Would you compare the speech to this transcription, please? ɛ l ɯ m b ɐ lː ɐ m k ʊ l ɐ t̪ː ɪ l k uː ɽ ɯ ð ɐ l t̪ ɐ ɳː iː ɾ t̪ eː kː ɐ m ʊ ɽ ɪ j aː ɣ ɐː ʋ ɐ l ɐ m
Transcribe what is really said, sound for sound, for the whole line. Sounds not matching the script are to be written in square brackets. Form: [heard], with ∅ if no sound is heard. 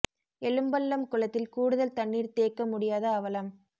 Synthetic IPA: ɛ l ɯ m b ɐ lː ɐ m k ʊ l ɐ t̪ː ɪ l k uː ɽ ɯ ð ɐ l t̪ ɐ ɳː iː ɾ t̪ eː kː ɐ m ʊ ɽ ɪ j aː [ð] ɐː ʋ ɐ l ɐ m